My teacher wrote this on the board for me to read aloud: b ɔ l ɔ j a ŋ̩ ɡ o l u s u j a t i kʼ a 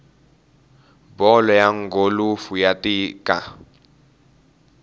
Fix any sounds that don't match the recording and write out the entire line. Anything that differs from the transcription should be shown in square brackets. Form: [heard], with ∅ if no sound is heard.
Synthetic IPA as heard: b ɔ l ɔ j a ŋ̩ ɡ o l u [f] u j a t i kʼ a